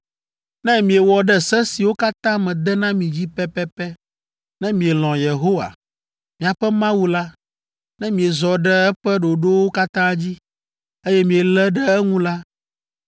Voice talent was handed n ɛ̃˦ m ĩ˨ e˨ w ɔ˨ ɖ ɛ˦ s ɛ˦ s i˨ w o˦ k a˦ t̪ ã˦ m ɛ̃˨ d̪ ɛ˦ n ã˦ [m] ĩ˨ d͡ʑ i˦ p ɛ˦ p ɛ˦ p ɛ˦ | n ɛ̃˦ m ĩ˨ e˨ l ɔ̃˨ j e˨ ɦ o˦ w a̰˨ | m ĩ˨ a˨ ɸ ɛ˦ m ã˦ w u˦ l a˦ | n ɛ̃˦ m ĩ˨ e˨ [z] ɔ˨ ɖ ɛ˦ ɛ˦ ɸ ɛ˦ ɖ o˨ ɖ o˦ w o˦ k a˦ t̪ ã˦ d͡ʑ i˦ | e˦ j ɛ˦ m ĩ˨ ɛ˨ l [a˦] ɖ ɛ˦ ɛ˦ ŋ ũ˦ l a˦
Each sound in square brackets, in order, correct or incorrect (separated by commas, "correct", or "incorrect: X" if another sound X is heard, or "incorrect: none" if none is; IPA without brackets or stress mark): correct, correct, incorrect: ɛ˦